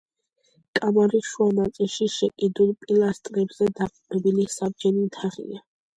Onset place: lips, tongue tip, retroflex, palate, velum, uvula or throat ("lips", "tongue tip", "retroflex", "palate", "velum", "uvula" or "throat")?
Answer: velum